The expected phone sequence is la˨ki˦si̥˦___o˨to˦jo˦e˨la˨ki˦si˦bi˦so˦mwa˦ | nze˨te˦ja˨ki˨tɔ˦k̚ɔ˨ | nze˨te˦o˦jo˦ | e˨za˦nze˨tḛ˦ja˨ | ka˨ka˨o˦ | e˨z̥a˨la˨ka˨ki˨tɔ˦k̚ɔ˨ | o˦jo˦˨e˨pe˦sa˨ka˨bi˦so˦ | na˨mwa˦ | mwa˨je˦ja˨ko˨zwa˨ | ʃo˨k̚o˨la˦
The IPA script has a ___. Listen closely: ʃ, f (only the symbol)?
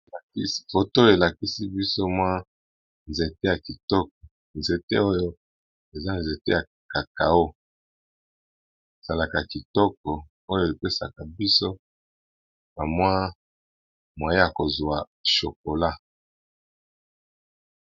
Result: f